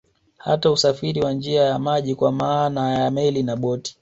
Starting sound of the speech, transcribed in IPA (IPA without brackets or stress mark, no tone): h